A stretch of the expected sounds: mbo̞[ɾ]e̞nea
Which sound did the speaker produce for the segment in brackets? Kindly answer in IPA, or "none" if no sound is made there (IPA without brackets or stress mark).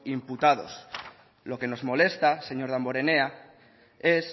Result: ɾ